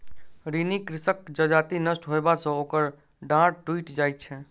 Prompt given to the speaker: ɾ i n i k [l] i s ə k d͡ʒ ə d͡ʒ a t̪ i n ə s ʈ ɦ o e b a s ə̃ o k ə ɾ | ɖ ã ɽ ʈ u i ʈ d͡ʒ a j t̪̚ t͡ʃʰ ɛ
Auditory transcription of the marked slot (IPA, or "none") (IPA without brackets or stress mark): ɾ